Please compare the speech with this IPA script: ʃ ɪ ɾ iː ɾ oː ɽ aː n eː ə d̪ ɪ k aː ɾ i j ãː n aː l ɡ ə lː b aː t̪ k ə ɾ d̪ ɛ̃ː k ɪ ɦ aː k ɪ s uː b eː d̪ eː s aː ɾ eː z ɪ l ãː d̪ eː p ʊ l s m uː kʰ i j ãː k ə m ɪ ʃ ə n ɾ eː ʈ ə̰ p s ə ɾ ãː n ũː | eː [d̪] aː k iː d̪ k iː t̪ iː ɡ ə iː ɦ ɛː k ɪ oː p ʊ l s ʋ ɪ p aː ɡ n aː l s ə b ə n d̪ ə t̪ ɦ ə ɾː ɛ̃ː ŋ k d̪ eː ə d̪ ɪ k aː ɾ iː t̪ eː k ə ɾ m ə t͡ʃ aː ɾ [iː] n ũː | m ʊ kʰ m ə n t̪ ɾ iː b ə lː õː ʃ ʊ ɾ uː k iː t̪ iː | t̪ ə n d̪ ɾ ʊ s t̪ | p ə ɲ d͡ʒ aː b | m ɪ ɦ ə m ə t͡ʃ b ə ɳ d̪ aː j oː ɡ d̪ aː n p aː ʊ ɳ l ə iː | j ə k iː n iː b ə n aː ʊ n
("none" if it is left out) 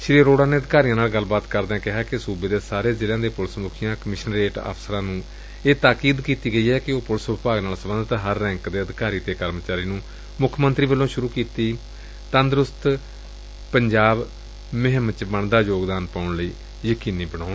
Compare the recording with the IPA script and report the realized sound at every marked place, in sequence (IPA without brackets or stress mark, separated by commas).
t̪, iː